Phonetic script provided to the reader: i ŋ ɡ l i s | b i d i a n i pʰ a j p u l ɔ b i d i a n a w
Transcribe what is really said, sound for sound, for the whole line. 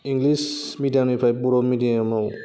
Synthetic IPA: i ŋ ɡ l i s | m i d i a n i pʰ a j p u ɾ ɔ m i d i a m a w